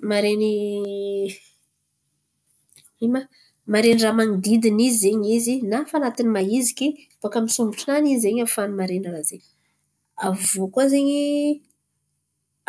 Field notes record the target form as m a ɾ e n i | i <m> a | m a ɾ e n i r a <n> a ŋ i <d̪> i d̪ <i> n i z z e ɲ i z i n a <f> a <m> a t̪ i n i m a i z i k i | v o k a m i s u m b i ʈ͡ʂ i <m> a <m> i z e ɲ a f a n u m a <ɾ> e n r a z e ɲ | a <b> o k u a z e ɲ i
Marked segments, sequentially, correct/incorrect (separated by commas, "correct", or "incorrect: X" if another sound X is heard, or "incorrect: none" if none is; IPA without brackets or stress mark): correct, incorrect: m, correct, correct, correct, incorrect: n, incorrect: n, incorrect: n, correct, incorrect: v